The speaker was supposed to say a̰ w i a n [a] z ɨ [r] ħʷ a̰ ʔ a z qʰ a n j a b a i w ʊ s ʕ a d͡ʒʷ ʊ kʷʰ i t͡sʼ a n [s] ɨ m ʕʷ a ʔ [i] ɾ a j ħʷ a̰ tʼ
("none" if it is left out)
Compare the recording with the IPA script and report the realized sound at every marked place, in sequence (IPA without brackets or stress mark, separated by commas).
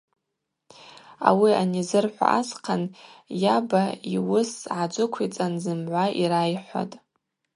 i, r, z, i